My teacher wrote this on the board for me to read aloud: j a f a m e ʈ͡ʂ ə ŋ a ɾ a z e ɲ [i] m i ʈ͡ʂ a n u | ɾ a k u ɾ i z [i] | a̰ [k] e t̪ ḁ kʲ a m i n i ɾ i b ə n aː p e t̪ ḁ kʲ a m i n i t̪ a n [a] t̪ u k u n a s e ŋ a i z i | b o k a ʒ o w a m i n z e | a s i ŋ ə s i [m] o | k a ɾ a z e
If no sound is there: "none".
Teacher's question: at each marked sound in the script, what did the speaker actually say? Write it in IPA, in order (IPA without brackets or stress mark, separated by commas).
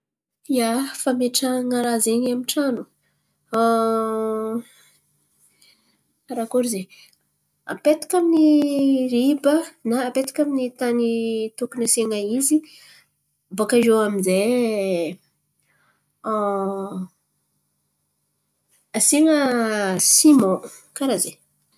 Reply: a, e, p, i, m